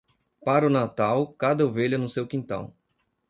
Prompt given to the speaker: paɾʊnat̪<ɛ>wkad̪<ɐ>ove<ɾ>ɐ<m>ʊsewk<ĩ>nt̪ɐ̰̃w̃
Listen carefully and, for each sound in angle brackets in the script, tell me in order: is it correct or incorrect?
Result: incorrect, correct, incorrect, incorrect, correct

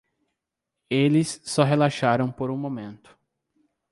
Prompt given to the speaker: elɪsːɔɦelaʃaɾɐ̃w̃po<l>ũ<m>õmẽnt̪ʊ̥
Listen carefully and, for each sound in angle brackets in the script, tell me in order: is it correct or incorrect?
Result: incorrect, correct

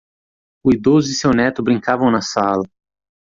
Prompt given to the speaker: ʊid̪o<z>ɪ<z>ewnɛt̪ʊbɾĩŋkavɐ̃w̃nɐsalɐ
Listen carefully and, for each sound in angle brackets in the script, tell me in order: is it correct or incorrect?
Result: correct, incorrect

